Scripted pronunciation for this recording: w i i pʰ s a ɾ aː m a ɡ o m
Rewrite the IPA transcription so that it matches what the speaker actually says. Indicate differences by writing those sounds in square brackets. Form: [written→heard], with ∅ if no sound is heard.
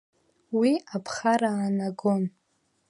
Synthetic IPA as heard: w i [i→a] pʰ [s→χ] a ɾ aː [m→n] a ɡ o [m→n]